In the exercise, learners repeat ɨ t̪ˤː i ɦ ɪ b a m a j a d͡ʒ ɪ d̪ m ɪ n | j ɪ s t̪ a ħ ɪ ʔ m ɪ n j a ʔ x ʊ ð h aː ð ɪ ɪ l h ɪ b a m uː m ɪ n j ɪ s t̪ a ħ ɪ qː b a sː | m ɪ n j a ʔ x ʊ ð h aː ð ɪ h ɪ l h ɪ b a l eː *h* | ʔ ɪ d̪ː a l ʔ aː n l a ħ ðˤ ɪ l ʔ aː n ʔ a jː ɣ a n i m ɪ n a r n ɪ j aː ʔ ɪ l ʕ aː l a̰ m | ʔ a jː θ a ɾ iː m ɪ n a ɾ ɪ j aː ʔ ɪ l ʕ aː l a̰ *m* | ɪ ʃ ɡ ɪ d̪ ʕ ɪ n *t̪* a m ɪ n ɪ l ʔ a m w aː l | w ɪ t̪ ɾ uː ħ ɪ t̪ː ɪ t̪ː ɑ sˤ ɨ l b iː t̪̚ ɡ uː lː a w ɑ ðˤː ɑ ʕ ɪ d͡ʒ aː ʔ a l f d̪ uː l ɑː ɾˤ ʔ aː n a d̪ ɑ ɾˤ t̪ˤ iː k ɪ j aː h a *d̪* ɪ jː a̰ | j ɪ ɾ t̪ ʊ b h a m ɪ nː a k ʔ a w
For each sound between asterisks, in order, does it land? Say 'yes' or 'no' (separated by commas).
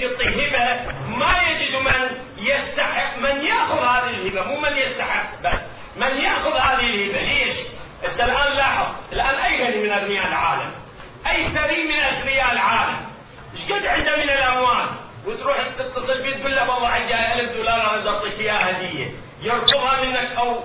no, yes, no, yes